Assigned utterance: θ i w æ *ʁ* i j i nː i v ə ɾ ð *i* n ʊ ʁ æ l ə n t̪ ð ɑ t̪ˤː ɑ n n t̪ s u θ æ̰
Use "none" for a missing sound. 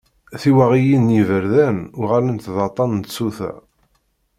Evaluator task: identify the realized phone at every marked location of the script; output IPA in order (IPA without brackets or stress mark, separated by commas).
ʁ, æ